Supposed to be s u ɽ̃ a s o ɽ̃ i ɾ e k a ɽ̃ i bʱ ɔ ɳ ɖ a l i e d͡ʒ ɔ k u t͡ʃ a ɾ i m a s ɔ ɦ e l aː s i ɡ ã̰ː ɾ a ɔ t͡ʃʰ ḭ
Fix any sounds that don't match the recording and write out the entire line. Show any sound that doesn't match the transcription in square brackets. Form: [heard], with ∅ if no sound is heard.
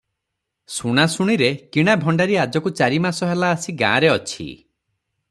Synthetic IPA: s u ɽ̃ a s [u] ɽ̃ i ɾ e k [i] ɽ̃ [a] bʱ ɔ ɳ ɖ a [ɾ] i [a] d͡ʒ ɔ k u t͡ʃ a ɾ i m a s ɔ ɦ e l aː s i ɡ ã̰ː ɾ [e] ɔ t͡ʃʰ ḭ